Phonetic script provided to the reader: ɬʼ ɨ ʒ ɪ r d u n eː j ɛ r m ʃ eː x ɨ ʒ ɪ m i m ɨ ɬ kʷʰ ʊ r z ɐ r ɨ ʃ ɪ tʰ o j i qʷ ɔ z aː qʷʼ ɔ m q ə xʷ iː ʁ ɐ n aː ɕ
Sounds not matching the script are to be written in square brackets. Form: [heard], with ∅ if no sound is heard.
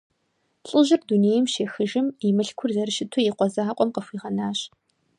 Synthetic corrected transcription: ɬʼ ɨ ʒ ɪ r d u n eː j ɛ [∅] m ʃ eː x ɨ ʒ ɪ m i m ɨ ɬ kʷʰ ʊ r z ɐ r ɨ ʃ ɪ tʰ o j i qʷ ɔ z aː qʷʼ ɔ m q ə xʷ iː ʁ ɐ n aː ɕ